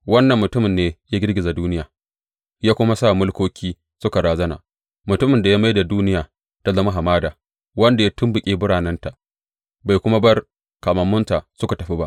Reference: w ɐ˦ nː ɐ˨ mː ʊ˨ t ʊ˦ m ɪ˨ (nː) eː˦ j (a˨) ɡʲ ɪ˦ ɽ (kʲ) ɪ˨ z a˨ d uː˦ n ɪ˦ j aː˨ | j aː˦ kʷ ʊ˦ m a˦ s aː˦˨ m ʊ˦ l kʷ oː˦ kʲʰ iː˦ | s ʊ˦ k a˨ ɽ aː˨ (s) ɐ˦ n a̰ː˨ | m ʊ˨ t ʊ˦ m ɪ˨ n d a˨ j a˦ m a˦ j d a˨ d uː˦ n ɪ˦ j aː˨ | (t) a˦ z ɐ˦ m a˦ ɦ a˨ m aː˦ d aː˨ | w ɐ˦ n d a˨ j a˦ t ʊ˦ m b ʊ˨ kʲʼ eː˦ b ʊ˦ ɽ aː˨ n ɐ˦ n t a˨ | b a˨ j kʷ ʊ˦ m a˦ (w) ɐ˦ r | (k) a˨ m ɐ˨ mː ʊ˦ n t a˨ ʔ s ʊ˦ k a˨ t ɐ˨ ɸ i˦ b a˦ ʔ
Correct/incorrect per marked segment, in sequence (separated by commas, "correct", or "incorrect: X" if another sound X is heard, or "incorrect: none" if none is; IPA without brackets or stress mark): correct, incorrect: a˦, incorrect: ɡʲ, incorrect: z, correct, incorrect: b, correct